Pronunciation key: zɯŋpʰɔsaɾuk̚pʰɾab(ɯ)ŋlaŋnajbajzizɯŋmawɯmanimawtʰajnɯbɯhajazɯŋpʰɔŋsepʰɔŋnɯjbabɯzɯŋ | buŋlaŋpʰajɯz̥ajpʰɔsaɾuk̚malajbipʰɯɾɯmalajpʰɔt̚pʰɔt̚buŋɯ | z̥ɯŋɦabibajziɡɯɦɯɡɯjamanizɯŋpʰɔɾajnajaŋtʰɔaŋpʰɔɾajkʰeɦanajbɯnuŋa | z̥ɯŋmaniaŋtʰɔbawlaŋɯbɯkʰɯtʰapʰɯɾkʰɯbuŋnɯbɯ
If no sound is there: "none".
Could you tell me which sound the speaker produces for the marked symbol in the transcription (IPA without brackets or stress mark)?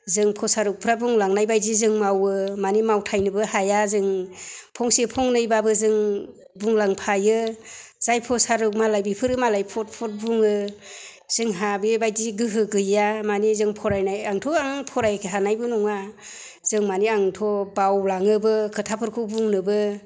u